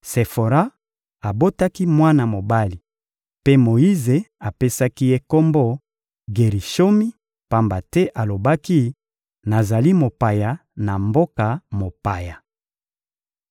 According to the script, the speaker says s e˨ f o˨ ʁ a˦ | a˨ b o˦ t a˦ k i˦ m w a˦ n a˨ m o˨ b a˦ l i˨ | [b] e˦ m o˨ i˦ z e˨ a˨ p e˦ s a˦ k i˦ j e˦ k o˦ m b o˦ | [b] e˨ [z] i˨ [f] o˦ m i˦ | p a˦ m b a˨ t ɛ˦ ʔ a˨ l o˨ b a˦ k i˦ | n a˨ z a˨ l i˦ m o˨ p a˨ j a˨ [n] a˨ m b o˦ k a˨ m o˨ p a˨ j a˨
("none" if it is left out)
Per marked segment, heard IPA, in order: p, ɡ, ʁ, ʃ, n

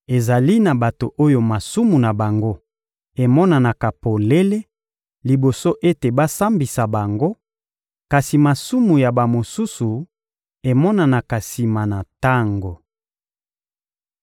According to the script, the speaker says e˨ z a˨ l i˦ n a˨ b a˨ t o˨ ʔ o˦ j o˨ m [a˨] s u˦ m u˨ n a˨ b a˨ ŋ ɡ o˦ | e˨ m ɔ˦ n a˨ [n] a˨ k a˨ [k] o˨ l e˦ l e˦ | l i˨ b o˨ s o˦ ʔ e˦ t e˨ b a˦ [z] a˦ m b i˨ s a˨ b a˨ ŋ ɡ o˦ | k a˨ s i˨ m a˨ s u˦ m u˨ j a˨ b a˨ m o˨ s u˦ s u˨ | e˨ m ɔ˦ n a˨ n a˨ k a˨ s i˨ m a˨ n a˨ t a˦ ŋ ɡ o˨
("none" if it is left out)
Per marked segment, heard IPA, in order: a˨, n, p, s

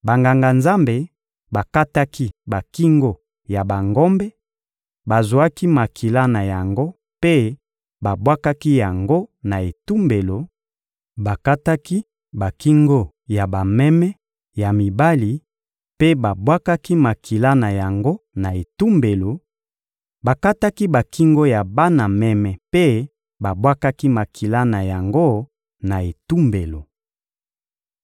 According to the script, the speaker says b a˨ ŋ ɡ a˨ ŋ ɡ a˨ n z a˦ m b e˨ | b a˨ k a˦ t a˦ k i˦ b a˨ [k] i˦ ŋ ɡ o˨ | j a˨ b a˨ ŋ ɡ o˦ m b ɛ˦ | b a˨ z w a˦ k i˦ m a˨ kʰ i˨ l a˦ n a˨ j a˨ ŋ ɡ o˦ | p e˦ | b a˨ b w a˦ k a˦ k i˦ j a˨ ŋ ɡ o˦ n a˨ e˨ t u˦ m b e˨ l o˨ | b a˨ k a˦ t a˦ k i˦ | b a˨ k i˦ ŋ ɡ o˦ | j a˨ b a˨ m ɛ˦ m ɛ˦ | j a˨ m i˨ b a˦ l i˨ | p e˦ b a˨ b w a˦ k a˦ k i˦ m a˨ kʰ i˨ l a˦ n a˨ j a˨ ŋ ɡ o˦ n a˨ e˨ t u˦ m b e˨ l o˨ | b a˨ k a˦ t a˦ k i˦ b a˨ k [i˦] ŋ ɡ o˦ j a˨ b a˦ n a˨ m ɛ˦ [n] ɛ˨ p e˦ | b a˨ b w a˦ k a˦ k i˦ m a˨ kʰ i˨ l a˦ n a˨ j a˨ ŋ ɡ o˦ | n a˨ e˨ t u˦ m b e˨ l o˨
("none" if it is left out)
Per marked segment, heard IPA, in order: k, i˦, m

